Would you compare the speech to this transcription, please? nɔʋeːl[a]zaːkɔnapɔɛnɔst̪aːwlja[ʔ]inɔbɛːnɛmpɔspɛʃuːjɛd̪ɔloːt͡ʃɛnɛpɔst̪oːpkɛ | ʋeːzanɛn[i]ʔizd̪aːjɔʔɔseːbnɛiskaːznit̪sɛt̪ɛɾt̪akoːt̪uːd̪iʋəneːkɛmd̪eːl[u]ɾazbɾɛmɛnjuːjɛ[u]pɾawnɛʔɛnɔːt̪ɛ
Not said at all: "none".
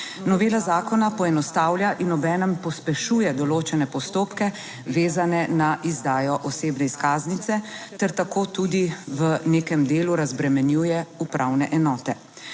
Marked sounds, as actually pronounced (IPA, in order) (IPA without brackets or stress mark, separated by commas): a, ʔ, a, u, u